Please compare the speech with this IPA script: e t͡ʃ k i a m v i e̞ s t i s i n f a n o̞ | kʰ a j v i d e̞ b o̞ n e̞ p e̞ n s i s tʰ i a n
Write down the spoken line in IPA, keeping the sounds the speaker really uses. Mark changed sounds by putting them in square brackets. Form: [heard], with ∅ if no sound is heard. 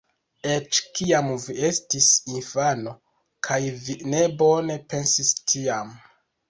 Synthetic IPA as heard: e t͡ʃ k i a m v i e̞ s t i s i n f a n o̞ | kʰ a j v i [n] e̞ b o̞ n e̞ p e̞ n s i s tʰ i a [m]